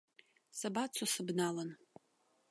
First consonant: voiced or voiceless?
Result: voiceless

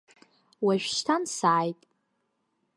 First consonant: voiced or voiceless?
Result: voiced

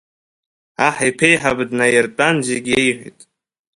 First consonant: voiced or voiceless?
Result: voiceless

